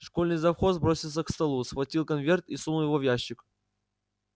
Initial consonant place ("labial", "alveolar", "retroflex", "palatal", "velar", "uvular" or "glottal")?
retroflex